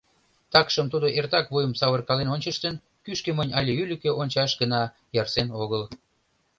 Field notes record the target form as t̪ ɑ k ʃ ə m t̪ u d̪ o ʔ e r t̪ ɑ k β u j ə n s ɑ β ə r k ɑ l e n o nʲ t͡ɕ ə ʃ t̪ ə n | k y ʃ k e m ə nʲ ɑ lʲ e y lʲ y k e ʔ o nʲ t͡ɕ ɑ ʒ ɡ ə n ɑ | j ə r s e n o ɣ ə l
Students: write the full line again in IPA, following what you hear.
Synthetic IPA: t̪ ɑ k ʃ ə m t̪ u d̪ o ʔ e r t̪ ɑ k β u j ə m s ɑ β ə r k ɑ l e n o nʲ t͡ɕ ə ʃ t̪ ə n | k y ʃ k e m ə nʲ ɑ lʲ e y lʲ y k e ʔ o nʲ t͡ɕ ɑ ʃ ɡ ə n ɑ | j ɑ r s e n o ɣ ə l